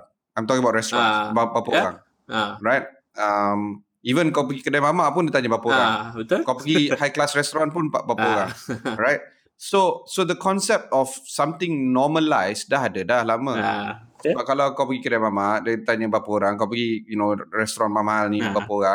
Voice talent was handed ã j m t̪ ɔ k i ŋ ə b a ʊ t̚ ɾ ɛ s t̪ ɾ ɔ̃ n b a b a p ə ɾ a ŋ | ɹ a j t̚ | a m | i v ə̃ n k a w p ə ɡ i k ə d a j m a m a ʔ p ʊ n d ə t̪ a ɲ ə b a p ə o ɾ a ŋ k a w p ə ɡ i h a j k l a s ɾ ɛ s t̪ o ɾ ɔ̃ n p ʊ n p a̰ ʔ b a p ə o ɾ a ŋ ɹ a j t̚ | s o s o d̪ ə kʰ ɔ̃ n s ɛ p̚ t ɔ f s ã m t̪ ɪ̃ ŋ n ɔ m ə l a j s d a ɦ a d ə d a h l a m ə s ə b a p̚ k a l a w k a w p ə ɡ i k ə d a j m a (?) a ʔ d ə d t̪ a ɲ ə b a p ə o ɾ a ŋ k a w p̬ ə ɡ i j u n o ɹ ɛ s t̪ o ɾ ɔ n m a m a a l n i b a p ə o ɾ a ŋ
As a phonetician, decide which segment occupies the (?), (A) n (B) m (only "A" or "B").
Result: B